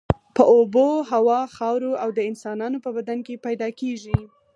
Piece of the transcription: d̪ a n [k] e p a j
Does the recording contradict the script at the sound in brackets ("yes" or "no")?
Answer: no